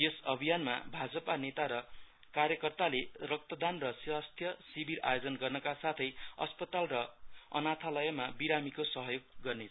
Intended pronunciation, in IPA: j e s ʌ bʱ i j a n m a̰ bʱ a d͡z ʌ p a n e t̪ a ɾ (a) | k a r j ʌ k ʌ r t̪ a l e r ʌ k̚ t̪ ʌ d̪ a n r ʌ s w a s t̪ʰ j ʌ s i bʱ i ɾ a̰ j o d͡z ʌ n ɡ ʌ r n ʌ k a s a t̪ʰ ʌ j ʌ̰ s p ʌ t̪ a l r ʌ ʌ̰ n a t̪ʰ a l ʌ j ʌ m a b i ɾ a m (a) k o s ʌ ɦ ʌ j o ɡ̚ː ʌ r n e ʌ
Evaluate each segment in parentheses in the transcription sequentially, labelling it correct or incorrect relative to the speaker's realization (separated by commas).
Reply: incorrect, incorrect